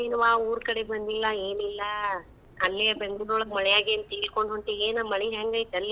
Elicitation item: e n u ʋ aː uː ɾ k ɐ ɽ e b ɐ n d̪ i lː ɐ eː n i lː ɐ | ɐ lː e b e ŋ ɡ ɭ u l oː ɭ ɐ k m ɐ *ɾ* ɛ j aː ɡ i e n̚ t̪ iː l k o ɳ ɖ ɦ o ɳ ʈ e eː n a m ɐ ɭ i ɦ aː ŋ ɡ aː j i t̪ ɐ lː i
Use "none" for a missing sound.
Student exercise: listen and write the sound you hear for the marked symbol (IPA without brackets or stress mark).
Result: ɭ